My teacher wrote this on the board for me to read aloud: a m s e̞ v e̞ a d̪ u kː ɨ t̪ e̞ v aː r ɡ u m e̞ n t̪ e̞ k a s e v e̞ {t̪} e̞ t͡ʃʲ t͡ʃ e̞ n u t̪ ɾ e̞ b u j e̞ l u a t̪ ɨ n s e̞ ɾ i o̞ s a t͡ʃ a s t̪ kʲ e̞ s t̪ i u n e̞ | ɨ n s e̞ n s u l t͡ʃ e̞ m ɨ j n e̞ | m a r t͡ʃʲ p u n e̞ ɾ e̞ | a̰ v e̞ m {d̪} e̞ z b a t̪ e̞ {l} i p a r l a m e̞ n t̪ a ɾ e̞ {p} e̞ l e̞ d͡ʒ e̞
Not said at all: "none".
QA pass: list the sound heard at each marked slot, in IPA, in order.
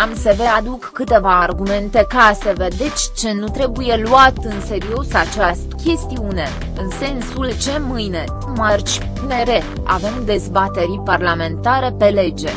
d̪, d̪, ɾ, p

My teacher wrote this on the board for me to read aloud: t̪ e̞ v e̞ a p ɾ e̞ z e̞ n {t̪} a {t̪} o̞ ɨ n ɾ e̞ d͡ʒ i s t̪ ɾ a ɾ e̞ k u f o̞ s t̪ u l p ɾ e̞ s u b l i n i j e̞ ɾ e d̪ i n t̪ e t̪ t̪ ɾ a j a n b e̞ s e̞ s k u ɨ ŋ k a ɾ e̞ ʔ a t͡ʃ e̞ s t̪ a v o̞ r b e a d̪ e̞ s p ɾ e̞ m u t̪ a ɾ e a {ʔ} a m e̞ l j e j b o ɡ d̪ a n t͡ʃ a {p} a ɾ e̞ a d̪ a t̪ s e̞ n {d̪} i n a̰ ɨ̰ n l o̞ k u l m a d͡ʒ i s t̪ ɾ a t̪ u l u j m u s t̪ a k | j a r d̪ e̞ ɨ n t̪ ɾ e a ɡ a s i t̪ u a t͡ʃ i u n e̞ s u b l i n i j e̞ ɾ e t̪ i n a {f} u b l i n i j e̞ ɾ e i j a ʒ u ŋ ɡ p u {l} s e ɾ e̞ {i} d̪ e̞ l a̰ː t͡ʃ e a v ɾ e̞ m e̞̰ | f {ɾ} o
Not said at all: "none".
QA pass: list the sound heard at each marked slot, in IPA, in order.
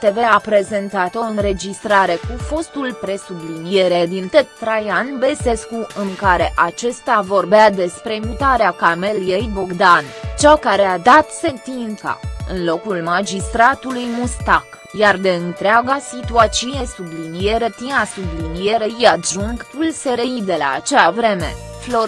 t̪, t̪, k, k, t̪, s, l, i, l

